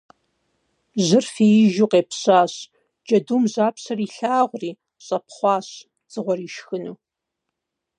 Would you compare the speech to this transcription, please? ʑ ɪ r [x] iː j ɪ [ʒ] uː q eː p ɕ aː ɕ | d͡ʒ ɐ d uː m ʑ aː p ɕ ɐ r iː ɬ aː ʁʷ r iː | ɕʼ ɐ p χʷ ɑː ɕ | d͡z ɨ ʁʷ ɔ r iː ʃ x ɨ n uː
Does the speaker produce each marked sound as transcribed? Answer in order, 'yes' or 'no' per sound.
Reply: no, yes

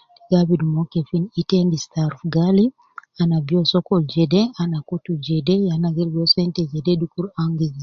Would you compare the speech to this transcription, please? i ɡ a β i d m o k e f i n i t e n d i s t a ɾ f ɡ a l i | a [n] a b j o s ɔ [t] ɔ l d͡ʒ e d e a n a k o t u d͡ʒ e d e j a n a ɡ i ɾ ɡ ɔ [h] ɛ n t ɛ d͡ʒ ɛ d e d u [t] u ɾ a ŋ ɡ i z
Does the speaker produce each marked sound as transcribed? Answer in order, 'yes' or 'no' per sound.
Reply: yes, no, no, no

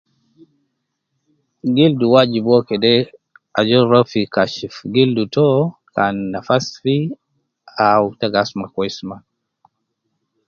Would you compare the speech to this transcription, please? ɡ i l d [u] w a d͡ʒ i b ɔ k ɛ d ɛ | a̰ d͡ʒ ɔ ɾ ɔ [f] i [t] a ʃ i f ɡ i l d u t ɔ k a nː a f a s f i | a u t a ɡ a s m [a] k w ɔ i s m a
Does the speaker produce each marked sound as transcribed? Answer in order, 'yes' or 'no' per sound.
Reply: yes, yes, no, yes

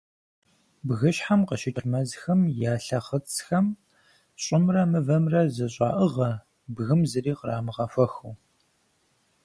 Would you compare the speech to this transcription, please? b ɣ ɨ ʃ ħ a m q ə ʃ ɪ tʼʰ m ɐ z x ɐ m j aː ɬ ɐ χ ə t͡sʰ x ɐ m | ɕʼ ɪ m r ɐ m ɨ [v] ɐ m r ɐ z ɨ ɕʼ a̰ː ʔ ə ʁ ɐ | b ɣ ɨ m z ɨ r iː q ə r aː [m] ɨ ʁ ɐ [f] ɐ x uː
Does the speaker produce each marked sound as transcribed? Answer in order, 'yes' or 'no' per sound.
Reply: yes, yes, yes

